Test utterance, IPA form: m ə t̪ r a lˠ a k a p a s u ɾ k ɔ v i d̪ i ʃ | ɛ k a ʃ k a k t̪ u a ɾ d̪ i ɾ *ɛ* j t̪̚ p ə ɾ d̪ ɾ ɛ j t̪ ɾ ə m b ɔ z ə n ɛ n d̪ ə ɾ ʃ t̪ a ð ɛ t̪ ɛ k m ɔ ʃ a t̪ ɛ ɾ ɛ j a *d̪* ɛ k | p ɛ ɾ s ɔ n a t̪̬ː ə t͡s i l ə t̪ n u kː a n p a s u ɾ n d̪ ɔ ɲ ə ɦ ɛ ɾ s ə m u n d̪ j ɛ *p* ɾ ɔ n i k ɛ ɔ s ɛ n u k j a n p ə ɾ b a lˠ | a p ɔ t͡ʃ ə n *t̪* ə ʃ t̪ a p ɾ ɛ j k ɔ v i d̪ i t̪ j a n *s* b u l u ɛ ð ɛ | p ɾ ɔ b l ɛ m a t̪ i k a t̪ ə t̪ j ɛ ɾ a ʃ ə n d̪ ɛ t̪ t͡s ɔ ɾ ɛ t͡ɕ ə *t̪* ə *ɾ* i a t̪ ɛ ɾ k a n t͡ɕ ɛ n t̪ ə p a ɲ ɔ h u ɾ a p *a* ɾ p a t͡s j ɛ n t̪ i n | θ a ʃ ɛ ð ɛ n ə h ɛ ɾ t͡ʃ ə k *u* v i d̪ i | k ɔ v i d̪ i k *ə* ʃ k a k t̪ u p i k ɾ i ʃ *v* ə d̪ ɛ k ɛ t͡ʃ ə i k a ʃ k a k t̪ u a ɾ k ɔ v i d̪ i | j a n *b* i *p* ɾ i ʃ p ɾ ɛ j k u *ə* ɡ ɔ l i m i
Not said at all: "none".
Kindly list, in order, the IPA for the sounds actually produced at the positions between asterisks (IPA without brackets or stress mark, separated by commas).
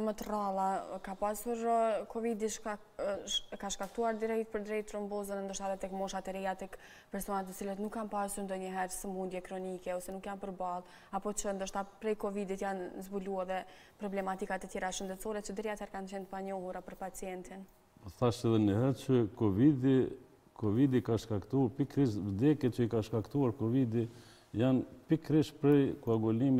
ɛ, t̪, k, d̪, z, d̪, ɾ, ə, ɔ, a, v, p, k, a